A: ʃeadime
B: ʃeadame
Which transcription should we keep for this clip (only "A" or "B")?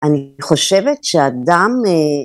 B